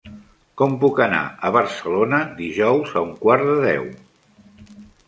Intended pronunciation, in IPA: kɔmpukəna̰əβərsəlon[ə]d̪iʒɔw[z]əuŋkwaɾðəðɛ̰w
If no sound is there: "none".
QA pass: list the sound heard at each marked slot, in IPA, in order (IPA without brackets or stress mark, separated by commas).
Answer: ə, z